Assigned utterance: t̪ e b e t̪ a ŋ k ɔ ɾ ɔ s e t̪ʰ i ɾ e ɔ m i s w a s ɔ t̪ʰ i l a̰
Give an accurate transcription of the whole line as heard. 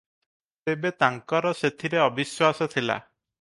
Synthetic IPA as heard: t̪ e b e t̪ a ŋ k ɔ ɾ ɔ s e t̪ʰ i ɾ e ɔ b i s w a s ɔ t̪ʰ i l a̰

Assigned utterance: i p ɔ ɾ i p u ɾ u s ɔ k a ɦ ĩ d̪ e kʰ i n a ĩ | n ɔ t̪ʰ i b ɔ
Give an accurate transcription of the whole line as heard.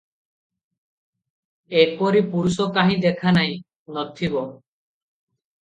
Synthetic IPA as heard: e p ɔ ɾ i p u ɾ u s ɔ k a ɦ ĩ d̪ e kʰ a n a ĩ | n ɔ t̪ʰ i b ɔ

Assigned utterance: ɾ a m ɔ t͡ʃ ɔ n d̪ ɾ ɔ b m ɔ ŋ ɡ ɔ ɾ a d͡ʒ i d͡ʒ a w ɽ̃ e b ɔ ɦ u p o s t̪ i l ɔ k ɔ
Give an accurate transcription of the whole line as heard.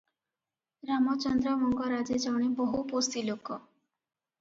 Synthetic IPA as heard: ɾ a m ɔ t͡ʃ ɔ n d̪ ɾ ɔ m ɔ ŋ ɡ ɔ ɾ a d͡ʒ e d͡ʒ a w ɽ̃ e b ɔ ɦ u p o s t̪ i l o k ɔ

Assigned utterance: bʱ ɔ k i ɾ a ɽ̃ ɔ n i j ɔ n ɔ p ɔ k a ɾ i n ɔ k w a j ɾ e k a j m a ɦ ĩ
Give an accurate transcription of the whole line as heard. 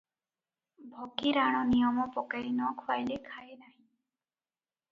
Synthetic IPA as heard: bʱ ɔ k i ɾ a ɽ̃ ɔ n i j ɔ m ɔ p ɔ k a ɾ i n ɔ kʰ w a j l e kʰ a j n a ɦ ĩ

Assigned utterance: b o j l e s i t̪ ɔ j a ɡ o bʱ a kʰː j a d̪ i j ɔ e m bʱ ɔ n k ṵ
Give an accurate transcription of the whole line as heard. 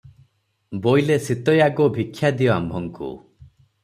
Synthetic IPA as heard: b o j l e s i t̪ ɔ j a ɡ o bʱ i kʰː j a d̪ i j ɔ a m bʱ ɔ ŋ k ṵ

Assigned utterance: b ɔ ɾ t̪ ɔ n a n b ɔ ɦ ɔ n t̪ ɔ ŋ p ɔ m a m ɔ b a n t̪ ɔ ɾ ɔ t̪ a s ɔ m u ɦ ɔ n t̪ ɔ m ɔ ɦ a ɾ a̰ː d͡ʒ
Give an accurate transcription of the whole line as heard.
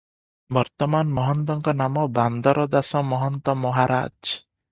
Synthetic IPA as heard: b ɔ ɾ t̪ ɔ m a n m ɔ ɦ ɔ n t̪ ɔ ŋ k ɔ n a m ɔ b a n d̪ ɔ ɾ ɔ d̪ a s ɔ m ɔ ɦ ɔ n t̪ ɔ m ɔ ɦ a ɾ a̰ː d͡ʒ

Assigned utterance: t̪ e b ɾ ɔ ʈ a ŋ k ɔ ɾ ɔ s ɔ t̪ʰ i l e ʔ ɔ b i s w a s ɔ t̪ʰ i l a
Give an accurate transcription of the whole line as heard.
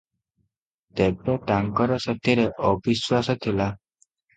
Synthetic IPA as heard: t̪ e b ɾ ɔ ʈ a ŋ k ɔ ɾ ɔ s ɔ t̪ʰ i ɾ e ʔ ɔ b i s w a s ɔ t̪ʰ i l a

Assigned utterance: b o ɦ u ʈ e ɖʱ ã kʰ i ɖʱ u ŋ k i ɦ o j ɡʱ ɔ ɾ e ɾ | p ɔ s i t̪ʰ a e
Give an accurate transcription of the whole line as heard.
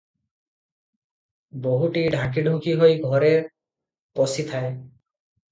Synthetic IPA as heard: b o ɦ u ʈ i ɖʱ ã k i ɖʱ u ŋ k i ɦ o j ɡʱ ɔ ɾ e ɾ | p ɔ s i t̪ʰ a e

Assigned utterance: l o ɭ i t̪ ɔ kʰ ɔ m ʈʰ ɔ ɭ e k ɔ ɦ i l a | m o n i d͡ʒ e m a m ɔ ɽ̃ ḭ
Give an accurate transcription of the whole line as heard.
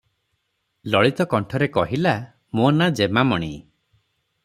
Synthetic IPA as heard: l ɔ ɭ i t̪ ɔ k ɔ ɳ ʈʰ ɔ ɾ e k ɔ ɦ i l a | m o n a d͡ʒ e m a m ɔ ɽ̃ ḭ

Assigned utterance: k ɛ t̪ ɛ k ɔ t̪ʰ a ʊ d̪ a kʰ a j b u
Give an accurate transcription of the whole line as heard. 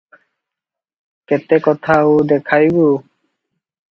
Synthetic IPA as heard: k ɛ t̪ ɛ k ɔ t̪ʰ a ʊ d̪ ɛ kʰ a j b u

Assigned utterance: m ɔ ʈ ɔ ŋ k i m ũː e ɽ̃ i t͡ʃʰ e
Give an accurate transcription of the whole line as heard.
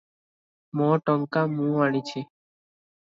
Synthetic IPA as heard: m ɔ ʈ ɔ ŋ k a m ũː a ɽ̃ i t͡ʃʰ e

